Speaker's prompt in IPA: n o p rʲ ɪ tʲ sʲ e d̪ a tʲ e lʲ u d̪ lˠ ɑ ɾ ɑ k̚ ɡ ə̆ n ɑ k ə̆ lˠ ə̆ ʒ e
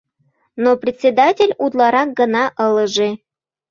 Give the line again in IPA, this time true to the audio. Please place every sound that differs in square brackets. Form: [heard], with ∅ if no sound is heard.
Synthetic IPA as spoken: n o p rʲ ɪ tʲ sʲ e d̪ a tʲ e lʲ u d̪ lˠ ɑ ɾ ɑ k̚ ɡ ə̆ n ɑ [ʔ] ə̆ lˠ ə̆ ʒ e